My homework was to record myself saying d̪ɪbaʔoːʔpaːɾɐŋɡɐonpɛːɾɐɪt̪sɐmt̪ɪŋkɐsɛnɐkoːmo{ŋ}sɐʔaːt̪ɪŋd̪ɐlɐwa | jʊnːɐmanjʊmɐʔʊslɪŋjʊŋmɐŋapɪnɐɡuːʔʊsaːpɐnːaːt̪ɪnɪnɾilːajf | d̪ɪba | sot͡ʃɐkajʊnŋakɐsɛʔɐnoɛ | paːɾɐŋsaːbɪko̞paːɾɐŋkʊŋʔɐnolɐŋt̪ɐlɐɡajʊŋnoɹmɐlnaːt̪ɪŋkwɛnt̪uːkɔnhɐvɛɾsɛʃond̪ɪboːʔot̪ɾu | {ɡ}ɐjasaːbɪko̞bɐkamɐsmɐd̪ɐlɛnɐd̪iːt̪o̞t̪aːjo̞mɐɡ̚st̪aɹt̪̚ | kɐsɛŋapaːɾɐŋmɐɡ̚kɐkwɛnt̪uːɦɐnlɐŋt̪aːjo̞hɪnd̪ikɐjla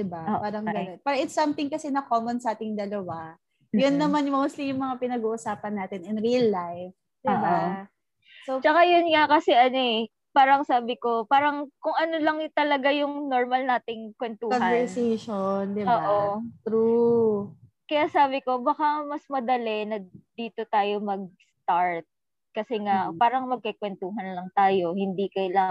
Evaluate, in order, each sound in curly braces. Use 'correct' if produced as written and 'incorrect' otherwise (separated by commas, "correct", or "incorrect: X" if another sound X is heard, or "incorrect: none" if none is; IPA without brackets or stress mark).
incorrect: n, incorrect: k